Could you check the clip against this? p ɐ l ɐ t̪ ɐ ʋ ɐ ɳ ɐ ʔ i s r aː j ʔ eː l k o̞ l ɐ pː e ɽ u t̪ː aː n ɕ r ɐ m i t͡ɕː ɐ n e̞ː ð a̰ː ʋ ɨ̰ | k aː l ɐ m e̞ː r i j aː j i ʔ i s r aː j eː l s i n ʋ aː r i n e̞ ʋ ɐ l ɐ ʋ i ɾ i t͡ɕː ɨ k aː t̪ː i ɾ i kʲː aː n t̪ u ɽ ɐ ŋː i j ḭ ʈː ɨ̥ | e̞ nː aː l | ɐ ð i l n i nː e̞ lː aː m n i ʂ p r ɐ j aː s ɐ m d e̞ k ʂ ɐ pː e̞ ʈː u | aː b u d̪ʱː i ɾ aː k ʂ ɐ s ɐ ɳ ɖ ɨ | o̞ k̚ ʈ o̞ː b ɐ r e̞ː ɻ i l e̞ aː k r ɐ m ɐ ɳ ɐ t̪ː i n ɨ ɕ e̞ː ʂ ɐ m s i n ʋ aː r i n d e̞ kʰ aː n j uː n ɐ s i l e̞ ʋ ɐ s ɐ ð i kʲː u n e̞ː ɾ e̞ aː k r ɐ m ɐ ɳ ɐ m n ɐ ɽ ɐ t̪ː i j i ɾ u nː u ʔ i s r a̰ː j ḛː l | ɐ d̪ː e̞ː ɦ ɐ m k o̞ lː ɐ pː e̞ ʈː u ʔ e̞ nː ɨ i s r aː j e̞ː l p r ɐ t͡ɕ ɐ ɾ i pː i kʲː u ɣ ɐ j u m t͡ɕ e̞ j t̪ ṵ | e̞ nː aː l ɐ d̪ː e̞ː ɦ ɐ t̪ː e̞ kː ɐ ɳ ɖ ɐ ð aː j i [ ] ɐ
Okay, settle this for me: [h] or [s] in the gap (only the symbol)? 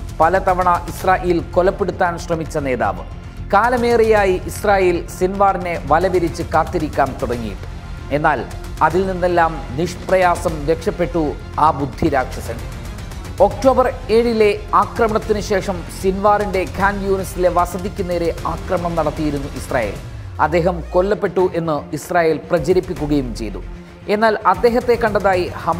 h